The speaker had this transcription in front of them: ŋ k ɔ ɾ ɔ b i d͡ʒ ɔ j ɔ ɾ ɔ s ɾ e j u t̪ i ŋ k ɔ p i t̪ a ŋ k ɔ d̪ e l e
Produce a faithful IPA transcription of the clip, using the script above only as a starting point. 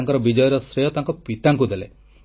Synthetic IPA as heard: ŋ k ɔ ɾ ɔ b i d͡ʒ ɔ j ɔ ɾ ɔ s ɾ e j ɔ t̪ a ŋ k ɔ p i t̪ a ŋ k u d̪ e l e